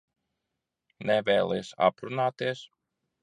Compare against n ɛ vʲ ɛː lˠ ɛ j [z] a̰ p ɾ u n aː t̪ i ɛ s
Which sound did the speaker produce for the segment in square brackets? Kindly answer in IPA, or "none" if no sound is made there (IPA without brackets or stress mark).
s